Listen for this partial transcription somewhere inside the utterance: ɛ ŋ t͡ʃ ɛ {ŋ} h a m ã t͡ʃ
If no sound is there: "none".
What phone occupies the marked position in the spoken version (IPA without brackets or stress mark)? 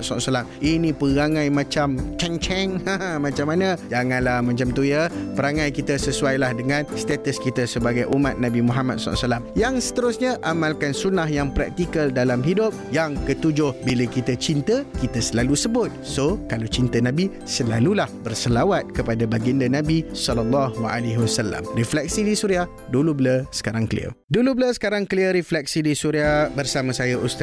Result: ŋ